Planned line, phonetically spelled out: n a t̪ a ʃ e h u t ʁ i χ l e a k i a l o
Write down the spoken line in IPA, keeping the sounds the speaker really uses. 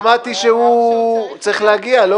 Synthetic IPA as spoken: m a t̪ i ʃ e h u t͡s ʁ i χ l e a ɡ i a l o